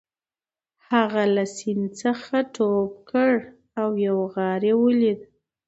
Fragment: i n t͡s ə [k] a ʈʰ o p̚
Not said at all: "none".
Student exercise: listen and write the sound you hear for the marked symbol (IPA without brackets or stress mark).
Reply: x